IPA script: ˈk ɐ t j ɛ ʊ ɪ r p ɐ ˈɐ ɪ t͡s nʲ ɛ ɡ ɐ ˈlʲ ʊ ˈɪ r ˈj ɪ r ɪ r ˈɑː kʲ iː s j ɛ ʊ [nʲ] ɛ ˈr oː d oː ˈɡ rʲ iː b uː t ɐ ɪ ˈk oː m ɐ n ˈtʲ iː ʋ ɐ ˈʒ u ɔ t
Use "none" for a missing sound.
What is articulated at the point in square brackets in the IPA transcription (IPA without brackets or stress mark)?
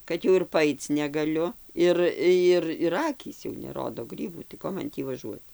nʲ